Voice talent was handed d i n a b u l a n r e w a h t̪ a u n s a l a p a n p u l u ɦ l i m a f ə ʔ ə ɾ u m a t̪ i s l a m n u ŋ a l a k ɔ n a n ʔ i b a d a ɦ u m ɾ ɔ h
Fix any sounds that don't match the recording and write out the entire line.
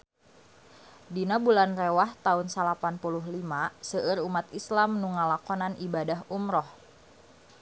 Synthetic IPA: d i n a b u l a n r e w a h t̪ a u n s a l a p a n p u l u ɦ l i m a s ə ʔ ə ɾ u m a t̪ i s l a m n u ŋ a l a k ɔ n a n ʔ i b a d a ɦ u m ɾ ɔ h